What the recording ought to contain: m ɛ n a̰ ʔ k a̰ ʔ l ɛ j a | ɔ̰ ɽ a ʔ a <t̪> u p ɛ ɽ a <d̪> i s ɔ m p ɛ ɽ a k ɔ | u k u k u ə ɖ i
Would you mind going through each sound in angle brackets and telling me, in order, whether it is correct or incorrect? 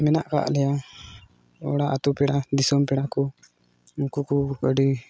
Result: correct, correct

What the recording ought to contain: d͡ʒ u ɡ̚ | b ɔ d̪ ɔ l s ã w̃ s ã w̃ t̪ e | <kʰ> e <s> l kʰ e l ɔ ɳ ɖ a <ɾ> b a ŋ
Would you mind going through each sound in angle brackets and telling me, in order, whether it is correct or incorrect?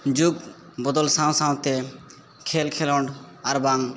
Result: correct, incorrect: none, correct

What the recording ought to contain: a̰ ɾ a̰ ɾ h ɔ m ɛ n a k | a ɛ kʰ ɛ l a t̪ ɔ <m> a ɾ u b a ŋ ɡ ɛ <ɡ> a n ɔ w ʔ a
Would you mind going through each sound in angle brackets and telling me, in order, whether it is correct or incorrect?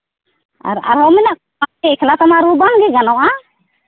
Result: correct, correct

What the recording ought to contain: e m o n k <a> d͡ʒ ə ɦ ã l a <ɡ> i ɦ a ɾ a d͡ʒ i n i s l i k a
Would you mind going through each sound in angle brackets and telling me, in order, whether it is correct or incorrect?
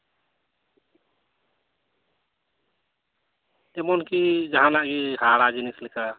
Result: incorrect: i, correct

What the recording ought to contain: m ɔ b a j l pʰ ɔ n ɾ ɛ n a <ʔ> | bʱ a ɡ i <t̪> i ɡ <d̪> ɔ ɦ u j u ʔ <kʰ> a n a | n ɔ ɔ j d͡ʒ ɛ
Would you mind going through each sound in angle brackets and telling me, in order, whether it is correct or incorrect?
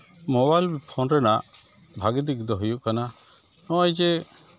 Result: correct, incorrect: d̪, correct, incorrect: k

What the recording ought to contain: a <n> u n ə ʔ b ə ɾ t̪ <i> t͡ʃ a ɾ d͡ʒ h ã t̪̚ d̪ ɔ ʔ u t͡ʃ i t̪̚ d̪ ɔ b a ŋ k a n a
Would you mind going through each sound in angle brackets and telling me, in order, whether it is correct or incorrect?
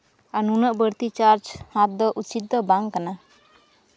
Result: correct, correct

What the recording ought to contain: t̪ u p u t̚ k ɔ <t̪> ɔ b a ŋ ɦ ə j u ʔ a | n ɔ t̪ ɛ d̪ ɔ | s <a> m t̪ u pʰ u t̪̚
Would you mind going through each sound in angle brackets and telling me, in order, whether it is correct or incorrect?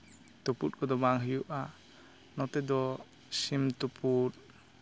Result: incorrect: d̪, incorrect: i

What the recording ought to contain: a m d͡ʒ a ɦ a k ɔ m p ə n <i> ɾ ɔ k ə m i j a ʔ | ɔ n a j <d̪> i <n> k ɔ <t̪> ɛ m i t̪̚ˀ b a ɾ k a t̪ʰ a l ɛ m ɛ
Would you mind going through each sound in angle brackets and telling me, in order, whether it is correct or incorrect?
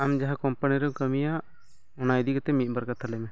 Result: correct, correct, incorrect: none, correct

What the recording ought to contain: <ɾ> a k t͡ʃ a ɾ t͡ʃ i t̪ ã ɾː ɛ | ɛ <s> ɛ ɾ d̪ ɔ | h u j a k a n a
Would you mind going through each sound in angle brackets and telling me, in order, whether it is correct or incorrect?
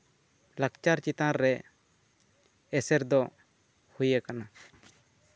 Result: incorrect: l, correct

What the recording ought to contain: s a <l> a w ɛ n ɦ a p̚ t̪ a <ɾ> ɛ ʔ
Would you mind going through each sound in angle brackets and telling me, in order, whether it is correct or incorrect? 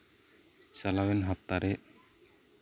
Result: correct, correct

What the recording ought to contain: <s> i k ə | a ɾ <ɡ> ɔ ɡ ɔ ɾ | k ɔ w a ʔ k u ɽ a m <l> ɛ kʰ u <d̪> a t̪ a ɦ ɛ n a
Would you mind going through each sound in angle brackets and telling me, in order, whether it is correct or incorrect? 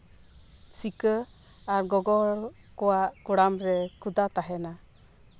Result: correct, correct, incorrect: ɾ, correct

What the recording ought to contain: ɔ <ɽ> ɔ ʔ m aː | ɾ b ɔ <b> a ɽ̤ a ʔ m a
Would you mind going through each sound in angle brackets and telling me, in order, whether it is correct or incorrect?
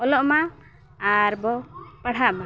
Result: incorrect: l, incorrect: p

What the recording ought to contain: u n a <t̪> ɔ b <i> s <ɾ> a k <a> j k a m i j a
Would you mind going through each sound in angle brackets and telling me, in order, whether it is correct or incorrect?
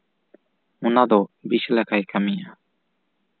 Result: incorrect: d̪, correct, incorrect: l, correct

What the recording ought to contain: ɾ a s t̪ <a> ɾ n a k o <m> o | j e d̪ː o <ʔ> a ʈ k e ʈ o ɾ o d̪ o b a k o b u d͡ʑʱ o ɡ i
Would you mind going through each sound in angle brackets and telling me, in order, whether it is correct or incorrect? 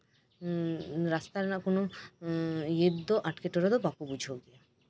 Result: correct, incorrect: n, correct

